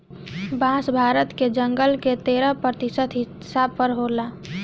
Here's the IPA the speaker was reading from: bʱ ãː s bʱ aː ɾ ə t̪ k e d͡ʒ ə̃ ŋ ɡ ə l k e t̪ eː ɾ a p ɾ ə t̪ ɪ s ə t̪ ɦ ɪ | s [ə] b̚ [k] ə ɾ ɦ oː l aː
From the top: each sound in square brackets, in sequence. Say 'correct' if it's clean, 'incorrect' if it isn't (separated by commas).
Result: incorrect, incorrect